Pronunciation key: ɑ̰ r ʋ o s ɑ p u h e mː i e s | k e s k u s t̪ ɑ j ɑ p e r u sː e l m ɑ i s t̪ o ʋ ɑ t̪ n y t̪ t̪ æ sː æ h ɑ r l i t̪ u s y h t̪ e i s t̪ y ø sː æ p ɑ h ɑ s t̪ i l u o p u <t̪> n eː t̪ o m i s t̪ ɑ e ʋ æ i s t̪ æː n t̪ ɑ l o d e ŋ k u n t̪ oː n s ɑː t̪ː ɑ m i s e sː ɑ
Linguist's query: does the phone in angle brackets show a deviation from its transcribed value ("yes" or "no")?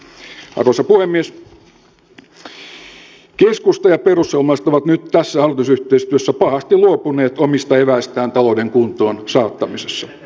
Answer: yes